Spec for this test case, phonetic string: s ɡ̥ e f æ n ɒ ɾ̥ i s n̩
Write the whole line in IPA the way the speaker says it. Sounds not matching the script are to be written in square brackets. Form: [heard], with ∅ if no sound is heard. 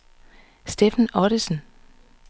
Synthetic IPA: s [d̥] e f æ n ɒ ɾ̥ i s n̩

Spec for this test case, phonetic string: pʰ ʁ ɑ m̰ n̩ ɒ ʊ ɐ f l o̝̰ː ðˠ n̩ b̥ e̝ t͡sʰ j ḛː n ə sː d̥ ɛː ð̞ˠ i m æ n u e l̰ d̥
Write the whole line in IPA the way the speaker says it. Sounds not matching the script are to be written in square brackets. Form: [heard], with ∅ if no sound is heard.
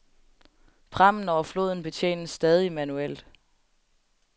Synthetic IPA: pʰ ʁ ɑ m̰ n̩ ɒ ʊ ɐ f l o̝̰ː ðˠ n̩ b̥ e̝ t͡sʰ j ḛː n ə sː d̥ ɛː ð̞ˠ i m æ n u e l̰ d̥

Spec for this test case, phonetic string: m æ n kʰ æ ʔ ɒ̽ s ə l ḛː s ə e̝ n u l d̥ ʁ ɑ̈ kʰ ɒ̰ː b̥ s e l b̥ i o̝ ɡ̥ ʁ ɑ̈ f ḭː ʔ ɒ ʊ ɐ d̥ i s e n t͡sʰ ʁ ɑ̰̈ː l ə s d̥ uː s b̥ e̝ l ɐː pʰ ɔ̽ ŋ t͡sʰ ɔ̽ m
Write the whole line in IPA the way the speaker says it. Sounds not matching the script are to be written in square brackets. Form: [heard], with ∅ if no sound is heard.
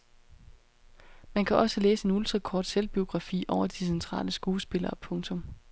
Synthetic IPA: m æ n kʰ æ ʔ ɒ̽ s ə l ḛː s ə e̝ n u l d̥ ʁ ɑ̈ kʰ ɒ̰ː [d̥] s e l b̥ i o̝ ɡ̥ ʁ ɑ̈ f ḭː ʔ ɒ ʊ ɐ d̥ i s e n t͡sʰ ʁ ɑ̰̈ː l ə s [ɡ̥] uː s b̥ e̝ l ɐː pʰ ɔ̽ ŋ t͡sʰ ɔ̽ m

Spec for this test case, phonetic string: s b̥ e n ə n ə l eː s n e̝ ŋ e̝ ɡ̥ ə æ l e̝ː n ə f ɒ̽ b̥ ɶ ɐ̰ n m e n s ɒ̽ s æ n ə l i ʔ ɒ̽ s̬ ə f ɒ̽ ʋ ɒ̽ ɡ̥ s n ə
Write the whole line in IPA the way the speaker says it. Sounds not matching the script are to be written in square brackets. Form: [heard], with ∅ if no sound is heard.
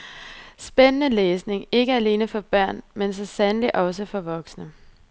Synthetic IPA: s b̥ e n ə n ə l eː s n e̝ ŋ e̝ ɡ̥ ə æ l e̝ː n ə f ɒ̽ b̥ ɶ ɐ̰ n m e n s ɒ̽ s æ n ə l i ʔ ɒ̽ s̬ ə f ɒ̽ ʋ ɒ̽ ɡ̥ s n ə

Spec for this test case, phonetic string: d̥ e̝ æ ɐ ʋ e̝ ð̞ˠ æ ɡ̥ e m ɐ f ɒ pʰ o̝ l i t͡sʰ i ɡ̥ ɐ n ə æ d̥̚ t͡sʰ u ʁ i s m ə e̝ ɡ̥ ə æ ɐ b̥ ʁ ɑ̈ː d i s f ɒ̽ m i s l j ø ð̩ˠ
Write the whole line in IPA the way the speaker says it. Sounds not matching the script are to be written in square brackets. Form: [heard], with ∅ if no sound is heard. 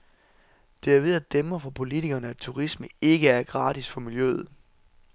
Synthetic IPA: d̥ e̝ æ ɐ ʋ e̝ ð̞ˠ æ [d̥] e m ɐ f ɒ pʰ o̝ l i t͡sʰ i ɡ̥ ɐ n ə æ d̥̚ t͡sʰ u ʁ i s m ə e̝ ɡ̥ ə æ ɐ [ɡ̥] ʁ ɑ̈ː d i s f ɒ̽ m i [∅] l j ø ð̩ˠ

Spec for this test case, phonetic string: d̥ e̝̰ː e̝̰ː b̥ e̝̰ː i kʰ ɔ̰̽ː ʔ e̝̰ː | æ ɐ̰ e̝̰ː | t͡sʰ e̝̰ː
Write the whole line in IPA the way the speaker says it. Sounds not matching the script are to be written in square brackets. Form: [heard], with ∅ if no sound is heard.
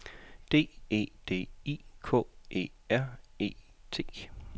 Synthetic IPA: d̥ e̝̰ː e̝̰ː [d̥] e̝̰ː i kʰ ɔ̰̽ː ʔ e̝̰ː | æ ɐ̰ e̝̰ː | t͡sʰ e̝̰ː

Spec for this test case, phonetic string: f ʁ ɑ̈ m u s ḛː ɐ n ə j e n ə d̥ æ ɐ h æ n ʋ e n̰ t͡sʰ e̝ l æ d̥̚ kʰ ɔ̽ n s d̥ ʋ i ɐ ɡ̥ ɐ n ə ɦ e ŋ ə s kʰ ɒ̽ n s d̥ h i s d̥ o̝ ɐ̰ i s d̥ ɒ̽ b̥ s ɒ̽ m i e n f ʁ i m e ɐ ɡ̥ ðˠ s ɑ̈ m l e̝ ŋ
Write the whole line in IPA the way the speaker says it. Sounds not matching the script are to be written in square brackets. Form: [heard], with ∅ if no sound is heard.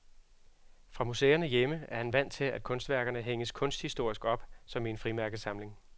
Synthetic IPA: f ʁ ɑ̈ m u s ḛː ɐ n ə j e [m] ə [∅] æ ɐ h æ n ʋ [æ] n̰ t͡sʰ e̝ l æ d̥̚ kʰ ɔ̽ n s d̥ ʋ [æ] ɐ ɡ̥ ɐ n ə ɦ e ŋ ə s kʰ [ɔ̽] n s d̥ h i s d̥ o̝ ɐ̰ i s [ɡ̥] ɒ̽ b̥ s ɒ̽ m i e n f ʁ i m [æ] ɐ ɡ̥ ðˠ s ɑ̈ m l e̝ ŋ

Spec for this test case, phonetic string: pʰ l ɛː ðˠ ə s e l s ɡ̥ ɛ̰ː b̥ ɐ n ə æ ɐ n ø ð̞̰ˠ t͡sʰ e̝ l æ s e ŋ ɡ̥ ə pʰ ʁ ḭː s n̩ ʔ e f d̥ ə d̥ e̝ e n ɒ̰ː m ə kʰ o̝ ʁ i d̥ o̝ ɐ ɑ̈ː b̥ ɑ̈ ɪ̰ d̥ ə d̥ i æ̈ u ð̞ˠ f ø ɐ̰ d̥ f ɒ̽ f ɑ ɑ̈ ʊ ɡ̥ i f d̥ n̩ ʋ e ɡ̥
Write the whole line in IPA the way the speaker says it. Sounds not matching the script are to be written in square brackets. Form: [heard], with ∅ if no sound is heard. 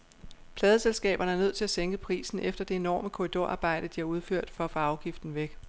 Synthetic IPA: pʰ l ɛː ðˠ ə s e l s ɡ̥ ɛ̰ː b̥ ɐ n ə æ ɐ n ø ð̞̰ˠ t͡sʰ e̝ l æ s e ŋ ɡ̥ ə pʰ ʁ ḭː s n̩ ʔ e f d̥ [ɐ] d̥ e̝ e n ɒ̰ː m ə kʰ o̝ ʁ i d̥ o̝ ɐ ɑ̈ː b̥ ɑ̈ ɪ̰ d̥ ə d̥ i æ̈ u ð̞ˠ f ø ɐ̰ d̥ f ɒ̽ f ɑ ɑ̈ ʊ ɡ̥ i f d̥ n̩ ʋ e ɡ̥

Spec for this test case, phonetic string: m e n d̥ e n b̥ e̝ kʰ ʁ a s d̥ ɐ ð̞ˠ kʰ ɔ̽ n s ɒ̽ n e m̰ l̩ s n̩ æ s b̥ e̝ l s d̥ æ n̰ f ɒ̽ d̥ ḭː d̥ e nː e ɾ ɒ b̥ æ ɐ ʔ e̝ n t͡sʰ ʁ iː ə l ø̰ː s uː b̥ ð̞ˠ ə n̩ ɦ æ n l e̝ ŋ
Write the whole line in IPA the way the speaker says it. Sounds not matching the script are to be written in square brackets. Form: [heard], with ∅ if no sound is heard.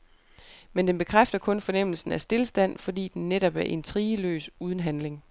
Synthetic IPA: m e n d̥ e n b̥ e̝ kʰ ʁ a [f] d̥ ɐ [∅] kʰ ɔ̽ n [f] ɒ̽ n e m̰ l̩ s n̩ æ s [d̥] e̝ l s d̥ æ n̰ f ɒ̽ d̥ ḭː d̥ e nː e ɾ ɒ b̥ æ ɐ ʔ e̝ n t͡sʰ ʁ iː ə l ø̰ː s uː [∅] ð̞ˠ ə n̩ ɦ æ n l e̝ ŋ

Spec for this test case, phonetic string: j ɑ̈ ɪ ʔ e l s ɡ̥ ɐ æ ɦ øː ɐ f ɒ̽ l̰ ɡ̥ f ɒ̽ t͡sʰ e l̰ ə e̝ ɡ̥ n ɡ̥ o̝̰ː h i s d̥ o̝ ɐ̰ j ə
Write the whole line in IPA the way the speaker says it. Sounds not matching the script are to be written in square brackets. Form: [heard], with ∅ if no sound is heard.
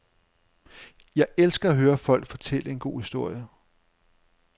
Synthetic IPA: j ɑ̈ ɪ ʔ e l s ɡ̥ ɐ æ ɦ øː ɐ f ɒ̽ l̰ ɡ̥ f ɒ̽ t͡sʰ e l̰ ə e̝ [∅] n ɡ̥ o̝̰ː h i s d̥ o̝ ɐ̰ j ə

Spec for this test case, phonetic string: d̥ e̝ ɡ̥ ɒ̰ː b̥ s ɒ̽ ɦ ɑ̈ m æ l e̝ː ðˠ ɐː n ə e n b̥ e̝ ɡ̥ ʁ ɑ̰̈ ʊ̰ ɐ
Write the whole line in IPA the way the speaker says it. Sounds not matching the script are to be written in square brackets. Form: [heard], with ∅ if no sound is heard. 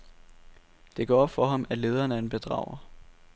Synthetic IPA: d̥ e̝ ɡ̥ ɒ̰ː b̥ [f] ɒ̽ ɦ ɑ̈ m æ l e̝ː ðˠ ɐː n ə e n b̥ e̝ [d̥] ʁ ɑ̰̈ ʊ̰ ɐ

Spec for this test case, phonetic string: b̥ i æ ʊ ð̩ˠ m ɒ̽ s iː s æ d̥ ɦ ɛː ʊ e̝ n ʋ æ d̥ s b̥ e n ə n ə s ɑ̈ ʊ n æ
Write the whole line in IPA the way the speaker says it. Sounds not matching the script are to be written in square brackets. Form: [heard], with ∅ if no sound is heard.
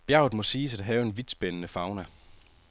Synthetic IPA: b̥ [j] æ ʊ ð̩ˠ m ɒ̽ s iː s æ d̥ ɦ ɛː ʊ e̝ n ʋ [i] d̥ s b̥ e n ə n ə [f] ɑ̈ ʊ n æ

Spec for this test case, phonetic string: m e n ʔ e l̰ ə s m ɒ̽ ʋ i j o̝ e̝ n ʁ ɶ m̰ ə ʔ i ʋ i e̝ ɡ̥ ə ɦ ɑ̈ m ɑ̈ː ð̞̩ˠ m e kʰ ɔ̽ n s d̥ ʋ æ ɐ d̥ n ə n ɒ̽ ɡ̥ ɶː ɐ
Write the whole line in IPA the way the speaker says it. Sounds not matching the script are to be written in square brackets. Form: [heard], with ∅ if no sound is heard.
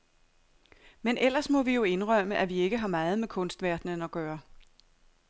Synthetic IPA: m e n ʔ e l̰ [ɐ] s m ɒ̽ ʋ i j o̝ e̝ n ʁ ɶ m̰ ə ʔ [æ] ʋ i e̝ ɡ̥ ə ɦ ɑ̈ m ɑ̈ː ð̞̩ˠ m e kʰ ɔ̽ n s d̥ ʋ æ ɐ d̥ n ə n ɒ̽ ɡ̥ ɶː ɐ

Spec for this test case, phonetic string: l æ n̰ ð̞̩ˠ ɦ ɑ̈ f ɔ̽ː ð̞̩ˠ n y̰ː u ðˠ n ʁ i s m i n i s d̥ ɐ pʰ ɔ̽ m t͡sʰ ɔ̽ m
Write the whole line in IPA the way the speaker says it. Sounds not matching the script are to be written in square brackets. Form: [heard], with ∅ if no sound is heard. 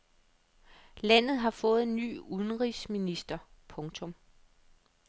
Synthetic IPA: l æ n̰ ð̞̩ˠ ɦ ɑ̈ f ɔ̽ː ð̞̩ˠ n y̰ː u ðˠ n ʁ i s m i n i s d̥ ɐ pʰ ɔ̽ [ŋ] t͡sʰ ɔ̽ m

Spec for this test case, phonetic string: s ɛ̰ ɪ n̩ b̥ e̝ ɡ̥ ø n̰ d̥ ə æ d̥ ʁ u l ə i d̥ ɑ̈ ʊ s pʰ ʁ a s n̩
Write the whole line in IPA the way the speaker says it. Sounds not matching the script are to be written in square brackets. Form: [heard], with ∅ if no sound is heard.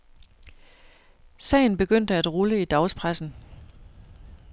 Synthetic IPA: s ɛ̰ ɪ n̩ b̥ e̝ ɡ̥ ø n̰ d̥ ə æ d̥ ʁ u l ə i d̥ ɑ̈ ʊ s pʰ ʁ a s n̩

